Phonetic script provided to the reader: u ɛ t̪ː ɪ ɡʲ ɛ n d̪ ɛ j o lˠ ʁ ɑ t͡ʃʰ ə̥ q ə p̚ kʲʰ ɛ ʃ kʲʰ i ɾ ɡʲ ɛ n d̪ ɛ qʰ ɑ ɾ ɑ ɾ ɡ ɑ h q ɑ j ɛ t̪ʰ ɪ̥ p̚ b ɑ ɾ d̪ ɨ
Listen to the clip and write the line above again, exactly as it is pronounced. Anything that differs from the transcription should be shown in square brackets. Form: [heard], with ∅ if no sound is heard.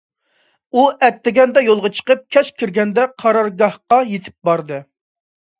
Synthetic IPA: u ɛ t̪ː ɪ ɡʲ ɛ n d̪ ɛ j o lˠ ʁ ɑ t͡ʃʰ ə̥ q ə p̚ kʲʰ ɛ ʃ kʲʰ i ɾ ɡʲ ɛ n d̪ ɛ qʰ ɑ ɾ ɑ ɾ ɡ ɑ h q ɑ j [e] t̪ʰ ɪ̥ p̚ b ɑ ɾ d̪ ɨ